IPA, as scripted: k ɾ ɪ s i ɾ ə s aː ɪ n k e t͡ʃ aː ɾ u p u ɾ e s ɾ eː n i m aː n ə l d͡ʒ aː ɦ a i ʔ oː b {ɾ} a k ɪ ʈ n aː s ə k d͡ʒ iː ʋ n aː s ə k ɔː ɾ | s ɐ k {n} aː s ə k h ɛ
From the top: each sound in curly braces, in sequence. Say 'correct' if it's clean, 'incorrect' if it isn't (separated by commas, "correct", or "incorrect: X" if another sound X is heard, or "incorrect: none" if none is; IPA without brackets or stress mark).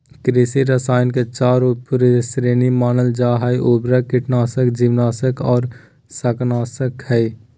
correct, correct